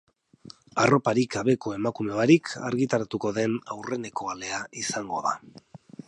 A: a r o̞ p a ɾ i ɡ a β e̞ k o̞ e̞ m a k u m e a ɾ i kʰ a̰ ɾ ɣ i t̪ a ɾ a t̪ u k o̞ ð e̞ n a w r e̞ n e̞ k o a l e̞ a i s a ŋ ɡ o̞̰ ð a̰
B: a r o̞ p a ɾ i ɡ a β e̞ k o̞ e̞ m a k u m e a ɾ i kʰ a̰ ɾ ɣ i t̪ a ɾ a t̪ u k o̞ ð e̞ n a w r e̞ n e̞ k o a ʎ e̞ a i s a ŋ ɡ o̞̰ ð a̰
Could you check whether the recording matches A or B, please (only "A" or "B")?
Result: A